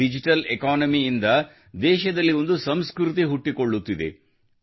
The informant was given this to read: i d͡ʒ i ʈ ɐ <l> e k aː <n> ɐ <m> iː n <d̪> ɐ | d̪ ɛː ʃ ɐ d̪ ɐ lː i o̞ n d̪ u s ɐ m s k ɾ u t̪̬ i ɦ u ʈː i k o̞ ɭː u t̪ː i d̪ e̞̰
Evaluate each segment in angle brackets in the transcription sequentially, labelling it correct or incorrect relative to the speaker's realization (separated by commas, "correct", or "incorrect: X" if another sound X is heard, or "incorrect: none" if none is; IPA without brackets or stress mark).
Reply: correct, correct, correct, correct